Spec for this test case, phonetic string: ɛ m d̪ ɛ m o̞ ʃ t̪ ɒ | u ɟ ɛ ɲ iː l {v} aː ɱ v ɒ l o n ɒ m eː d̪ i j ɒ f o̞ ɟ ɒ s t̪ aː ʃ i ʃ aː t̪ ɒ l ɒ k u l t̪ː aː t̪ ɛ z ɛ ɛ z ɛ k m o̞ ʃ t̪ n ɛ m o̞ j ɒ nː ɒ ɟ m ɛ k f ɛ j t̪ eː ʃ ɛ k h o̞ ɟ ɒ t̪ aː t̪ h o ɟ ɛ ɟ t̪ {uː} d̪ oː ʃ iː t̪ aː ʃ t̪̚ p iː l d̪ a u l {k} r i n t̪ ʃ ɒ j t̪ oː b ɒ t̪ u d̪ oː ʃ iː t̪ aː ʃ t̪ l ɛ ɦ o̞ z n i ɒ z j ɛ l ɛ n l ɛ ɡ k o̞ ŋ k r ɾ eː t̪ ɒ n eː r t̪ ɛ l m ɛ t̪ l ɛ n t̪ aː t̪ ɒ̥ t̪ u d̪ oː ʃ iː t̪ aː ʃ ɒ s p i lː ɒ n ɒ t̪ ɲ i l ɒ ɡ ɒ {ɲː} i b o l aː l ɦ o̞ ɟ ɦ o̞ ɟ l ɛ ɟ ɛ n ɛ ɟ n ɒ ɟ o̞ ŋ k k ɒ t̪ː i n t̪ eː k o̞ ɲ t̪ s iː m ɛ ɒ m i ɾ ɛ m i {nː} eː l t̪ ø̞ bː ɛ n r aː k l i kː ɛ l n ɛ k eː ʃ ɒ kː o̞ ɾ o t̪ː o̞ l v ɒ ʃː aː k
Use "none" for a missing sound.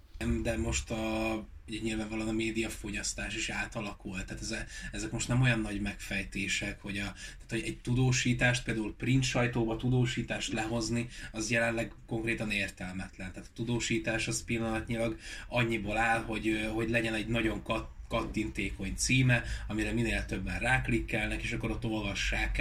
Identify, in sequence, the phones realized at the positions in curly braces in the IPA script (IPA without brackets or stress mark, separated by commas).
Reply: v, u, p, ɲː, n